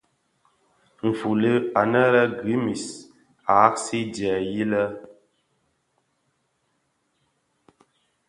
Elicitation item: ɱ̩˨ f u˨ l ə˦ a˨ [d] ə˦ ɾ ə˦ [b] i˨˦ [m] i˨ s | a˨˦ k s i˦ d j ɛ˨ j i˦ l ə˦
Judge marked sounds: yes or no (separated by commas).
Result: no, no, yes